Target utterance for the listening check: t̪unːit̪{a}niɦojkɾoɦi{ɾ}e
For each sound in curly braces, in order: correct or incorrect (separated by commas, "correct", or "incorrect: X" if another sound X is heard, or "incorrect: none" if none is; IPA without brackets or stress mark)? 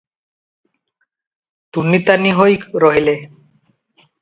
correct, incorrect: l